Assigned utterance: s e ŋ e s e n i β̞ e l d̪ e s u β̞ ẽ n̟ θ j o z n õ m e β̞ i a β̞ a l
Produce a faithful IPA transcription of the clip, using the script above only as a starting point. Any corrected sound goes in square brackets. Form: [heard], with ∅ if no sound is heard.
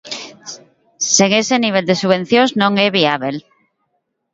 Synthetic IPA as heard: s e ŋ e s e n i β̞ e l d̪ e s u β̞ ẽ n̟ θ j o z n õ [ŋ] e β̞ i a β̞ [e] l